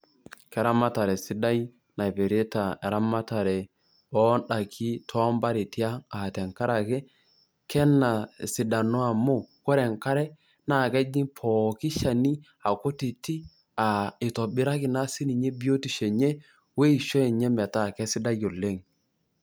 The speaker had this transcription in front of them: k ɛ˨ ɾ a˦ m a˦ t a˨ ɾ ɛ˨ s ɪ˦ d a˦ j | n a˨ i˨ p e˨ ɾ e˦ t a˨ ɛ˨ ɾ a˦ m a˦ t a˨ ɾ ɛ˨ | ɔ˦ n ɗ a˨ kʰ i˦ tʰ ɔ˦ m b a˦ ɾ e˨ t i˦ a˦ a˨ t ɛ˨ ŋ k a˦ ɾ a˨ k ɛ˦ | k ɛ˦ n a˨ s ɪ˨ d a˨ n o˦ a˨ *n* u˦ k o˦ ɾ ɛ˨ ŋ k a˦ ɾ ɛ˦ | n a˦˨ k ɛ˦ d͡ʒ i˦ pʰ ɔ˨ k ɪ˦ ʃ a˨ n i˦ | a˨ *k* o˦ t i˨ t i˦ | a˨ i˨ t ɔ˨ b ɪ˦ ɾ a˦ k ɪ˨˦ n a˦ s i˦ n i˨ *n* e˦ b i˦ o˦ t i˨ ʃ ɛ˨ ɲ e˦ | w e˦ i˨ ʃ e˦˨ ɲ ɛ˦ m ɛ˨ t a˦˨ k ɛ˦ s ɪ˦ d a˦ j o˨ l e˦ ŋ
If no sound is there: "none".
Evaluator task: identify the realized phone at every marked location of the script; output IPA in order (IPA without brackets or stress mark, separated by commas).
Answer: m, k, ɲ